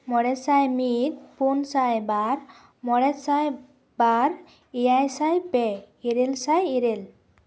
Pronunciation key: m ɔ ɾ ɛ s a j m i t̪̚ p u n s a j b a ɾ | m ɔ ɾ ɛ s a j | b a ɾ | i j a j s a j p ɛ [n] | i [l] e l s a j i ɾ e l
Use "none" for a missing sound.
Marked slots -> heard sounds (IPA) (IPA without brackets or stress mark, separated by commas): none, ɾ